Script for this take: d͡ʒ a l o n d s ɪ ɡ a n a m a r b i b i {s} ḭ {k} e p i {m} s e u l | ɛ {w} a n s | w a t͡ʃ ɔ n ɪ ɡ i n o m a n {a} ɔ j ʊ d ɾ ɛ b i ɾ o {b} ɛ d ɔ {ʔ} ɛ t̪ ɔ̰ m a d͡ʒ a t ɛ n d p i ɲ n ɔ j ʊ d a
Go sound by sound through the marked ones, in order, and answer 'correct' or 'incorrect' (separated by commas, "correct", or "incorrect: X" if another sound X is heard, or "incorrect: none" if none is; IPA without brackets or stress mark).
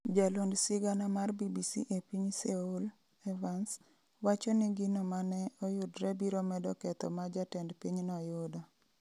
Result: correct, incorrect: ʔ, incorrect: ɲ, incorrect: v, incorrect: ɛ, incorrect: m, incorrect: k